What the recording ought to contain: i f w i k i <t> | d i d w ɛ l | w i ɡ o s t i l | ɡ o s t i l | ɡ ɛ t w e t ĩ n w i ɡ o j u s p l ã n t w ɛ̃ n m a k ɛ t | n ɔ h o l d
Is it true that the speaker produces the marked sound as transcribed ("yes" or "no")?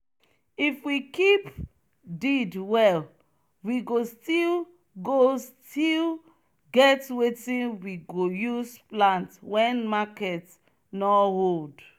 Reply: no